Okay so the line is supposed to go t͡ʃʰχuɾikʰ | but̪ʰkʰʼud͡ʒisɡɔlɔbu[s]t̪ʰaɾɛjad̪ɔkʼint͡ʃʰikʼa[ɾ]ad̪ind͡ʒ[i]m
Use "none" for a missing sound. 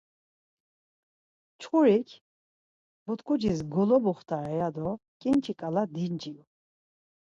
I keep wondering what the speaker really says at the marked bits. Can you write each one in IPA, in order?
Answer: χ, l, i

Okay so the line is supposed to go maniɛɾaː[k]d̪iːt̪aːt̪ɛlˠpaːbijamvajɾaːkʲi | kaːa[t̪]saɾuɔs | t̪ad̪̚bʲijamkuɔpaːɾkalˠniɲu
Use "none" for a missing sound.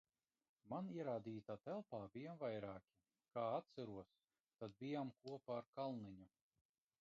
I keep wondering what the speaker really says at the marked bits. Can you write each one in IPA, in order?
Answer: none, t̪

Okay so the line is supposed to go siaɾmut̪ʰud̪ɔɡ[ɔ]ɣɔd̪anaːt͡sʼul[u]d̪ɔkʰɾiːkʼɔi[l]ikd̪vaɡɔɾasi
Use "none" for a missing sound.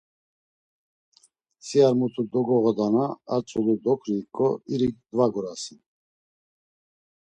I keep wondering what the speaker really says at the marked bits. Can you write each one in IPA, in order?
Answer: ɔ, u, ɾ

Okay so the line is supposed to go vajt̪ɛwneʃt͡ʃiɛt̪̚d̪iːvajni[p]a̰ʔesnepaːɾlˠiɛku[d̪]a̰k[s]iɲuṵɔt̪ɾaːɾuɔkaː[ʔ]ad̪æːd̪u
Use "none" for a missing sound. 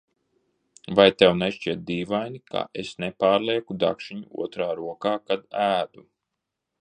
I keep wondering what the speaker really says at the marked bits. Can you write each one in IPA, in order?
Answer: k, d̪, ʃ, k

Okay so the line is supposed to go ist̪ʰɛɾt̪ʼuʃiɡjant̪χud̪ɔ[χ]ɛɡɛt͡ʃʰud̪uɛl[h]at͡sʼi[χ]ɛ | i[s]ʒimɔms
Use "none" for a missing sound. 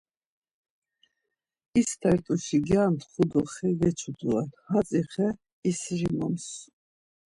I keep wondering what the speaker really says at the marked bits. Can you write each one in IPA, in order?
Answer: χ, h, χ, s

